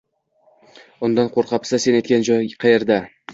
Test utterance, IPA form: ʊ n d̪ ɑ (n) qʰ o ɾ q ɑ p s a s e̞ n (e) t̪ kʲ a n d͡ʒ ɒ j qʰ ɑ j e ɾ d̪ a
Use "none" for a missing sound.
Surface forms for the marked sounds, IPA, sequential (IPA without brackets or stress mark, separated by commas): n, e